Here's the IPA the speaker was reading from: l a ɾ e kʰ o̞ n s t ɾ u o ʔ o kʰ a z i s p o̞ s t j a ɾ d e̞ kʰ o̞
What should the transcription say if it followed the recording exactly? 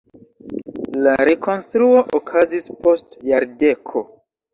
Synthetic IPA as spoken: l a ɾ e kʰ o̞ n s t ɾ u o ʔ o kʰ a z i s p o̞ s t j a ɾ d e̞ kʰ o̞